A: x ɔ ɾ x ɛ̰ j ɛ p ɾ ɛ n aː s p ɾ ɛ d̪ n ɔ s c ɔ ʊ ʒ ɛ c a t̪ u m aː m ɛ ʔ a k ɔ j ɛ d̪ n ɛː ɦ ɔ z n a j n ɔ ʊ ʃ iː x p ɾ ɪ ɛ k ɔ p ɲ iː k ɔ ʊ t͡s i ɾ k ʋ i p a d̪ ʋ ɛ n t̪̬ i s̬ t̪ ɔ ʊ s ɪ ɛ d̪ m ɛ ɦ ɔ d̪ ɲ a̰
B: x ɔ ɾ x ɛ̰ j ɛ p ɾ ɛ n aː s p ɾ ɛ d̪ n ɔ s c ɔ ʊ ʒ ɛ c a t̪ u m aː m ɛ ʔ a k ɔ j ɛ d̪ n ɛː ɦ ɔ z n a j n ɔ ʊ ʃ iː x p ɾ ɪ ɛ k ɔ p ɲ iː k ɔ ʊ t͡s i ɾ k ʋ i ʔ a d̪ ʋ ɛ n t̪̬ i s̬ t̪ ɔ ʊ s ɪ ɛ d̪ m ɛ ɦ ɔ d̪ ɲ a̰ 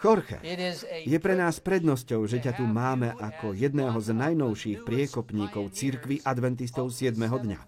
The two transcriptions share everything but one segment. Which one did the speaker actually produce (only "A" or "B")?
B